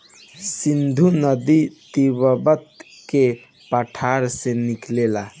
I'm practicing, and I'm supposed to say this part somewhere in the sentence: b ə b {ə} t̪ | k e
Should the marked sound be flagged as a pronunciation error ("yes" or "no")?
no